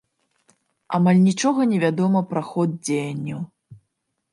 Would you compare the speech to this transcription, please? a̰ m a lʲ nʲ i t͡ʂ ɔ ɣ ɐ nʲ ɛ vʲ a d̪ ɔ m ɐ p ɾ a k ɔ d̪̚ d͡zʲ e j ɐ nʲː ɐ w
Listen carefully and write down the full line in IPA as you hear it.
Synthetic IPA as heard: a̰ m a lʲ nʲ i t͡ʂ ɔ ɣ ɐ nʲ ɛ vʲ a d̪ ɔ m ɐ p ɾ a x ɔ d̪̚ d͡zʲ e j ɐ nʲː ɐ w